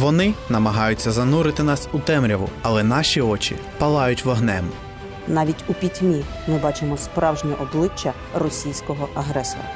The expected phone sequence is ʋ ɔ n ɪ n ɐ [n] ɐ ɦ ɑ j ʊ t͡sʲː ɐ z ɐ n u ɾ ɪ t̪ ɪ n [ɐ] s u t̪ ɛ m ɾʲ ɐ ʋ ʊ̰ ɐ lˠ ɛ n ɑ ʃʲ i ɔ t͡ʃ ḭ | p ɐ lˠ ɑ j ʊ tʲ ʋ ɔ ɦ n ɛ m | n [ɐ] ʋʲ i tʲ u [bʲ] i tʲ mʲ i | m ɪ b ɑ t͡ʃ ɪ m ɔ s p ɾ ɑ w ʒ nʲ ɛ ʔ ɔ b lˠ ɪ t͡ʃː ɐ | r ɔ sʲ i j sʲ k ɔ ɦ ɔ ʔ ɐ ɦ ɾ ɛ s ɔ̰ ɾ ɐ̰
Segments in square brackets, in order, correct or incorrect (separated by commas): incorrect, incorrect, incorrect, incorrect